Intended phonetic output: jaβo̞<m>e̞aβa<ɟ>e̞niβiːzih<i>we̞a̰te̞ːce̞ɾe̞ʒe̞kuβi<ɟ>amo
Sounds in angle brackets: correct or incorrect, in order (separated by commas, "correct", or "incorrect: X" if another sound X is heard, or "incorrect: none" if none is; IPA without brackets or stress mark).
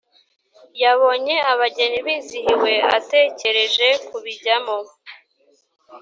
incorrect: ɲ, correct, correct, correct